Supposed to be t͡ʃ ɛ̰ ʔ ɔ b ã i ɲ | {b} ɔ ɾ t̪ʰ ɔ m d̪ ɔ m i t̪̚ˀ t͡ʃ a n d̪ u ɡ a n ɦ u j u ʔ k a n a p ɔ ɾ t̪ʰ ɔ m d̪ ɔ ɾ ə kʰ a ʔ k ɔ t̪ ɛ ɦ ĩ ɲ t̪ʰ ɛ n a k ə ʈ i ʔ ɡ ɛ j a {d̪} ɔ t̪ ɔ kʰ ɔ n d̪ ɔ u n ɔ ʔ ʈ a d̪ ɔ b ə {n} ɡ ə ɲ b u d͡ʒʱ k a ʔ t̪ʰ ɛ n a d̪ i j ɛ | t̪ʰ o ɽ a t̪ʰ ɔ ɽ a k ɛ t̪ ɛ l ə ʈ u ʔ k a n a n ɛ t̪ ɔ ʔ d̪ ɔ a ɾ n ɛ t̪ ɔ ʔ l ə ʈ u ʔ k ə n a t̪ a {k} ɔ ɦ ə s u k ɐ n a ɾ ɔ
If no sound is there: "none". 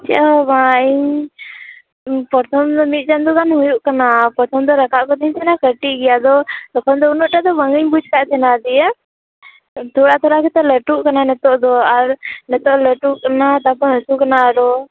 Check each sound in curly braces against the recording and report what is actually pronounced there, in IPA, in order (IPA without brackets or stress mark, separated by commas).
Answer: p, d̪, ŋ, p